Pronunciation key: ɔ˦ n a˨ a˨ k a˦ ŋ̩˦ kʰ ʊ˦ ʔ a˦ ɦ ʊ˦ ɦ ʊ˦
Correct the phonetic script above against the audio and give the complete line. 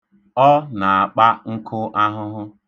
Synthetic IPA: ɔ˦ n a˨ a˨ k͡p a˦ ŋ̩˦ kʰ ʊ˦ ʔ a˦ ɦ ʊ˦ ɦ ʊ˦

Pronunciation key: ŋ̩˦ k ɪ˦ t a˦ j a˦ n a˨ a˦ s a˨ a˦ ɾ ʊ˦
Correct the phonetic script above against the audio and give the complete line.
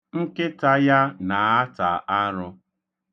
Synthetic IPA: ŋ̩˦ k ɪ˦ t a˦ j a˦ n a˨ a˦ t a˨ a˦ ɾ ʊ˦

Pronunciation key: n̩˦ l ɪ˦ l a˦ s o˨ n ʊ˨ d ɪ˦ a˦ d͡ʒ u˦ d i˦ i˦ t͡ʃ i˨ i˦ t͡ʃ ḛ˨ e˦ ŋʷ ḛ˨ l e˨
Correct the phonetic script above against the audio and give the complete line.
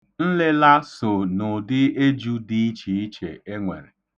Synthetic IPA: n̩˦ l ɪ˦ l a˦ s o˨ n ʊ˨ d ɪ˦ e˦ d͡ʒ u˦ d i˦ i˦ t͡ʃ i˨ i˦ t͡ʃ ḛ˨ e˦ ŋʷ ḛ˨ ɾ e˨

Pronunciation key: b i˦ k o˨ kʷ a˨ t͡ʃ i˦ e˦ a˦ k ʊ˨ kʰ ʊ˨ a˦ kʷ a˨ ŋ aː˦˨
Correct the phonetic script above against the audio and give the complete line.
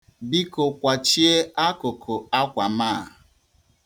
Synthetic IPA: b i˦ k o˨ kʷ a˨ t͡ʃ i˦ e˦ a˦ k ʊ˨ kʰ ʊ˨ a˦ kʷ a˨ m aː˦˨

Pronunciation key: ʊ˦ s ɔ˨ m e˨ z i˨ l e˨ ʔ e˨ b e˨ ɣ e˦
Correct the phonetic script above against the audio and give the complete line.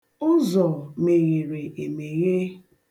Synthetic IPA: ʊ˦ z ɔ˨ m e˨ ɣ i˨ ɾ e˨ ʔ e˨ m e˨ ɣ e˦

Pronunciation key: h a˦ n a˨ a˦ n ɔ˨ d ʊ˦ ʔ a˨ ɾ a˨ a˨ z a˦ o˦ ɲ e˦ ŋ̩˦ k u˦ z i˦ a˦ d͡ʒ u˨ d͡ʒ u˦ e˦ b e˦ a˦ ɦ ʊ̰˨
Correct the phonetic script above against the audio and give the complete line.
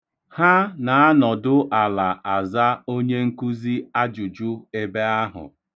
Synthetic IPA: h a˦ n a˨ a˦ n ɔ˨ d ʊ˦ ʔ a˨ l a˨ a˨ z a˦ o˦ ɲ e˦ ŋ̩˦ k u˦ z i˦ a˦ d͡ʒ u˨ d͡ʒ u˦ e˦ b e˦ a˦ ɦ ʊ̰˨

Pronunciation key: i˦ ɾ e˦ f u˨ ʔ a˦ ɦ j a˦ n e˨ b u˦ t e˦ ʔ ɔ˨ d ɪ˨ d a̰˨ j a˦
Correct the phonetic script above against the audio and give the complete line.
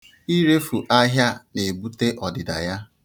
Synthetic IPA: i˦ ɾ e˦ f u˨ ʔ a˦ ɦ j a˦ n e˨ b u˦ t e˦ ʔ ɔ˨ d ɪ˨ d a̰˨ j a˦

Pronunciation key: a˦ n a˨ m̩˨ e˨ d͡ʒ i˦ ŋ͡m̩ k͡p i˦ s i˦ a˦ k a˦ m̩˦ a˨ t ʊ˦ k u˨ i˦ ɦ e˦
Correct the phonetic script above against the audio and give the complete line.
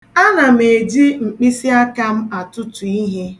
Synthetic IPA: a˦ n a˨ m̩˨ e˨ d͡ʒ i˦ ŋ͡m̩ k͡p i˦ s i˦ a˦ k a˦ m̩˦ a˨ t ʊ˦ t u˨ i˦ ɦ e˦

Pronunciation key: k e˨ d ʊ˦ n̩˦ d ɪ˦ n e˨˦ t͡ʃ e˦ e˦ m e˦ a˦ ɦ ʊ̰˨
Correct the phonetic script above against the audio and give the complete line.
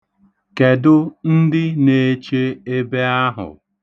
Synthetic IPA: k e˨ d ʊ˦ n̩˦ d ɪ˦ n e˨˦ t͡ʃ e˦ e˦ b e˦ a˦ ɦ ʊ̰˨

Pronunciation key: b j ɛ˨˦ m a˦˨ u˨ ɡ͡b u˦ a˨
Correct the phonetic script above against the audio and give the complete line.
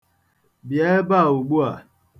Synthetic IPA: b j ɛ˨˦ b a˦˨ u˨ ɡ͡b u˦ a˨

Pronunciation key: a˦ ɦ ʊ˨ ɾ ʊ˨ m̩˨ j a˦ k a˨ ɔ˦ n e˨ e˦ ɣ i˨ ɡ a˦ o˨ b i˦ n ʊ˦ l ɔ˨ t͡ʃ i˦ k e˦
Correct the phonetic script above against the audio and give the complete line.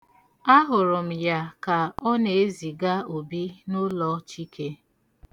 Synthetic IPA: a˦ ɦ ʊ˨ ɾ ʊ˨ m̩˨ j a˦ k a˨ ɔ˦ n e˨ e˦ z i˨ ɡ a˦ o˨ b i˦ n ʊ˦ l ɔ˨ t͡ʃ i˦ k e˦

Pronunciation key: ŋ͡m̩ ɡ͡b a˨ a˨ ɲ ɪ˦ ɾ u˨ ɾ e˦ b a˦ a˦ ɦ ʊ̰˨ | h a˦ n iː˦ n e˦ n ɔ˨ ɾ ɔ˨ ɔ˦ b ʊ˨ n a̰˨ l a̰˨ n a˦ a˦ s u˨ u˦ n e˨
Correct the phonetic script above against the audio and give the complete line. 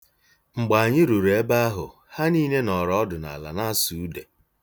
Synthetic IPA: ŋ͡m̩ ɡ͡b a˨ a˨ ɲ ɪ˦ ɾ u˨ ɾ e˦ b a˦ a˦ ɦ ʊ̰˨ | h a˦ n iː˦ n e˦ n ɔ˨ ɾ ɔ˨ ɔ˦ d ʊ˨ n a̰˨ l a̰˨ n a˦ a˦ s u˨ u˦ d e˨

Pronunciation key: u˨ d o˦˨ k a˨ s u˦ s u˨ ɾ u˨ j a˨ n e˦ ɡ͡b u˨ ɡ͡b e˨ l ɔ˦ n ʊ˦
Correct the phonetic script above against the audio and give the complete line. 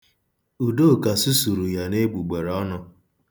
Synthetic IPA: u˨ d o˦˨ k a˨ s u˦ s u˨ ɾ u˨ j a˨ n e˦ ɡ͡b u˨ ɡ͡b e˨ ɾ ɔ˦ n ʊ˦

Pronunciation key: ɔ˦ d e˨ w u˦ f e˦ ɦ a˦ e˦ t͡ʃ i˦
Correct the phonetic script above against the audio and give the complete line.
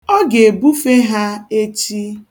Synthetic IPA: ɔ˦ ɡ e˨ b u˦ f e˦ ɦ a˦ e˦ t͡ʃ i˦

